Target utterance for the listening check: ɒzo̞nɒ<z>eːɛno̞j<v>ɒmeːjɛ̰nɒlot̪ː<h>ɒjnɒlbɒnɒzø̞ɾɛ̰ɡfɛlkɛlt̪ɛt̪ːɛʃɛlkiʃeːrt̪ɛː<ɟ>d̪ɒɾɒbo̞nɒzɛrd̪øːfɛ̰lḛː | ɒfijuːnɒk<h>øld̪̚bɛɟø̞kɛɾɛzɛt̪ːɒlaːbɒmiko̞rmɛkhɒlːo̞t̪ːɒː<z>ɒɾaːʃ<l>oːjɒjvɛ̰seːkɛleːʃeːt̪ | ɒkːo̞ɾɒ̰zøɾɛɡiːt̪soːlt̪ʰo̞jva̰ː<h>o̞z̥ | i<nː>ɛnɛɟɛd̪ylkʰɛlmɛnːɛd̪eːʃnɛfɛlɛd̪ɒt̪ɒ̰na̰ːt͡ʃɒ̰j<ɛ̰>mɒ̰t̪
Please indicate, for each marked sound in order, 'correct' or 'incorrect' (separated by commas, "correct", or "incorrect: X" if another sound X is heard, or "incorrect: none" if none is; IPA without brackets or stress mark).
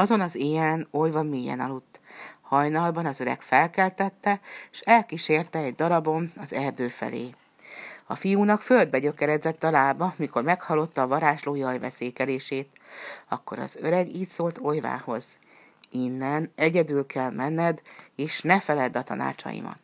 correct, correct, correct, correct, incorrect: f, incorrect: v, correct, correct, correct, incorrect: ḭ